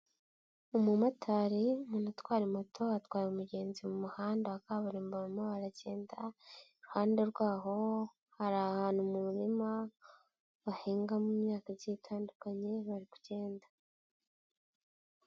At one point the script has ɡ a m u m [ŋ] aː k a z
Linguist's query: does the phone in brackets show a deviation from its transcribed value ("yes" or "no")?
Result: yes